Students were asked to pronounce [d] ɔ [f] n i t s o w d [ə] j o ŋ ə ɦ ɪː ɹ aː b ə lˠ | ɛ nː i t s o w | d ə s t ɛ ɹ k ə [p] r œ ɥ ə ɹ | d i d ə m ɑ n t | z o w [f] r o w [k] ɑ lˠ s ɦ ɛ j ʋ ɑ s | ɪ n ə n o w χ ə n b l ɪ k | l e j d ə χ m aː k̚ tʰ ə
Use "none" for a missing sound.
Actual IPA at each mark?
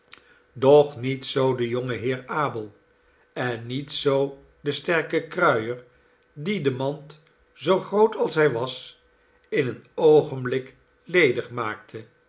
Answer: d, χ, ə, k, χ, t

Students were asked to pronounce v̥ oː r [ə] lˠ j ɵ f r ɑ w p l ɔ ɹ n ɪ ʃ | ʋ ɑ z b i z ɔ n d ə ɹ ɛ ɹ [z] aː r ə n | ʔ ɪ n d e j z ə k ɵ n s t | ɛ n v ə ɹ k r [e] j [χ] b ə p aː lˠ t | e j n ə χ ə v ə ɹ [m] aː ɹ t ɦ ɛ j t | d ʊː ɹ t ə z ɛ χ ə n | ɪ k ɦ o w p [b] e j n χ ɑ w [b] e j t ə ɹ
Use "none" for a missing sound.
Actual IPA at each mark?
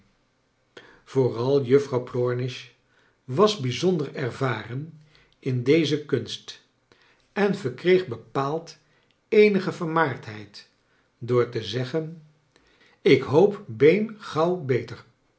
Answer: ɑ, v, e, χ, m, b, b

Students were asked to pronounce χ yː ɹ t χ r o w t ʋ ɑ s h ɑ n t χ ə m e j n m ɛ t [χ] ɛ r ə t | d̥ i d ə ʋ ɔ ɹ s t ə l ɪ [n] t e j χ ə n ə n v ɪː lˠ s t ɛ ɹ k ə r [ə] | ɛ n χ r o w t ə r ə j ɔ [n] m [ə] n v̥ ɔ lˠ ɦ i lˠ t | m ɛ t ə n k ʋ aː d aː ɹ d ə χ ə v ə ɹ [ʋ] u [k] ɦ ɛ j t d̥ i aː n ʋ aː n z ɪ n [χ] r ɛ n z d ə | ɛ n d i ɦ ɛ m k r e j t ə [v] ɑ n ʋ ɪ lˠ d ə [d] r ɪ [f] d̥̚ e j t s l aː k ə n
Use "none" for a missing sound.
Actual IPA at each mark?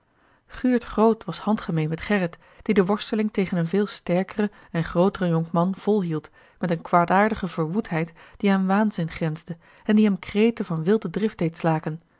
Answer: χ, ŋ, ə, ŋ, ɑ, ʋ, t, χ, v, d, f

